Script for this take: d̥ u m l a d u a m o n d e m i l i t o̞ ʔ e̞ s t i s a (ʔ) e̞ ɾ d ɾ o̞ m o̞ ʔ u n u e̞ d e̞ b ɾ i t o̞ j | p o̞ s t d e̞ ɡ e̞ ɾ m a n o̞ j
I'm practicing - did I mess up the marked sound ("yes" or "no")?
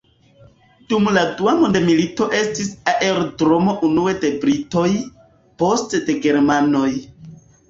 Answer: no